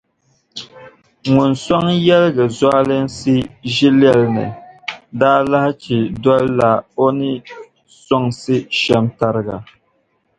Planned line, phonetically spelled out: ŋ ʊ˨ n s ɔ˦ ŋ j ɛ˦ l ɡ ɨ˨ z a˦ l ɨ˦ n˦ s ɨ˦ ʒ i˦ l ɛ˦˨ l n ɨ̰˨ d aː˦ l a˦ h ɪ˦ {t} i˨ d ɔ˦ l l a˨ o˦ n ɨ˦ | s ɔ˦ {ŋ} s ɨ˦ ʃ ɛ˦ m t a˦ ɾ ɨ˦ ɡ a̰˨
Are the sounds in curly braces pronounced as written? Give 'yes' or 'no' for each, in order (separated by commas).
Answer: no, yes